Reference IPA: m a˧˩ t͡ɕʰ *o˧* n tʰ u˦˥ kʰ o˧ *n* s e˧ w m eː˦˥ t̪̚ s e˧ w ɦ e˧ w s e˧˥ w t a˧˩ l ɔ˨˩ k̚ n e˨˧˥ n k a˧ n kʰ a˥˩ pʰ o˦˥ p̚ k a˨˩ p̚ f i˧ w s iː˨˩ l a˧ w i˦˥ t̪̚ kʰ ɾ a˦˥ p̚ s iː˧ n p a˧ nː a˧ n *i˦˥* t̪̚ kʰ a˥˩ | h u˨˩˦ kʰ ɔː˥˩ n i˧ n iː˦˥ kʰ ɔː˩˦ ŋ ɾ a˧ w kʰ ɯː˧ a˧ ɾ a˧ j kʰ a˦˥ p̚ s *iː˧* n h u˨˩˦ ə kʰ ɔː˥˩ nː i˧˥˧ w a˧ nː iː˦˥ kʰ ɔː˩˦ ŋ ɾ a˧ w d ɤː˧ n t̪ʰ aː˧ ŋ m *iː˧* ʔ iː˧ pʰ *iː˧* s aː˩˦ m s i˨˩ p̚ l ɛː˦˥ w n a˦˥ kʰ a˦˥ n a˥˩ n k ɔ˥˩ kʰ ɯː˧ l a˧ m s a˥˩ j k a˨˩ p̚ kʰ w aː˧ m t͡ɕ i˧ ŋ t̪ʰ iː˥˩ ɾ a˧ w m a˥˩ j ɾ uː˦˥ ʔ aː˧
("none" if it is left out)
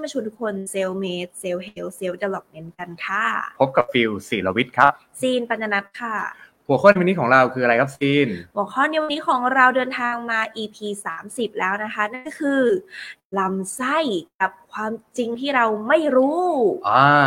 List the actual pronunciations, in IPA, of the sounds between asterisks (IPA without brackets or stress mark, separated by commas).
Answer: u˧, n, a˦˥, iː˧, aː˧, iː˧